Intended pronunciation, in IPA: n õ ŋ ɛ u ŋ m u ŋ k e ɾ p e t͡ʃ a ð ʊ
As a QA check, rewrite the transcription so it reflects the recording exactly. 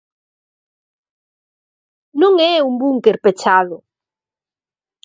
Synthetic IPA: n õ ŋ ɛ u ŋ b u ŋ k e ɾ p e t͡ʃ a ð ʊ

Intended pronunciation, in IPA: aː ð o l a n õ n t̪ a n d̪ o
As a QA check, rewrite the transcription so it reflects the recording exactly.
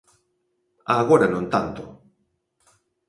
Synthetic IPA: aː ɣ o ɾ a n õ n t̪ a n t̪ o

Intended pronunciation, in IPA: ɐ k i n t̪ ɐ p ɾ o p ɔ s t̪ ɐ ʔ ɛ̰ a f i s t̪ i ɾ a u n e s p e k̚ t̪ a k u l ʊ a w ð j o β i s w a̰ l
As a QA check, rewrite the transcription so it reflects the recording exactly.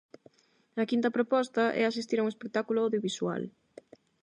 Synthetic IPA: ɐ k i n t̪ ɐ p ɾ o p ɔ s t̪ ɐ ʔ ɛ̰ a s i s t̪ i ɾ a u ŋ e s p e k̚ t̪ a k u l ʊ a w ð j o β i s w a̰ l

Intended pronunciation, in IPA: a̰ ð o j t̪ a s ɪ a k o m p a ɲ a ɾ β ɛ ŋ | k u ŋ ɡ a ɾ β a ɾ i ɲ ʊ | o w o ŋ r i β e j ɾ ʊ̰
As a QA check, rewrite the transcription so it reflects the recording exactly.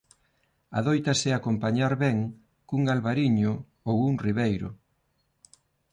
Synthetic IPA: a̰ ð o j t̪ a s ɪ a k o m p a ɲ a ɾ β ɛ ŋ | k u ŋ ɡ a l β a ɾ i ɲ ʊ | o w u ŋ r i β e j ɾ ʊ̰

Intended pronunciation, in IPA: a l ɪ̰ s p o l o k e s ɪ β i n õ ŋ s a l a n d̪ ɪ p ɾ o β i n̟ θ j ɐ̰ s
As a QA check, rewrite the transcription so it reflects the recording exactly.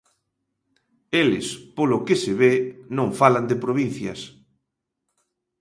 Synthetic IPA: e l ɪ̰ s p o l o k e s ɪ β e n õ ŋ f a l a n d̪ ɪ p ɾ o β i n̟ θ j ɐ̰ s

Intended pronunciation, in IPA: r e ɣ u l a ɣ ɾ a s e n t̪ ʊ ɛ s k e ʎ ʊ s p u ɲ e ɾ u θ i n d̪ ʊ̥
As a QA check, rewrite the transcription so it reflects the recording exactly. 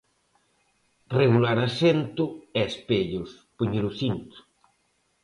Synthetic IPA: r e ɣ u l a ɾ a s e n t̪ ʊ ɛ s p e ʎ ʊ s p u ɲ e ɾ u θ i n t̪ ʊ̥

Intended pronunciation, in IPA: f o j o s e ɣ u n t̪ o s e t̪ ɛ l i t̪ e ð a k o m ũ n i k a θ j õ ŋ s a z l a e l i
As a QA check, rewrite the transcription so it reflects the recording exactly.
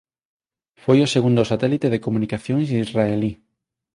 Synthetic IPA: f o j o s e ɣ u n d̪ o s a t̪ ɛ l i t̪ e ð e k o m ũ n i k a θ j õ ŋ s i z r a e l i

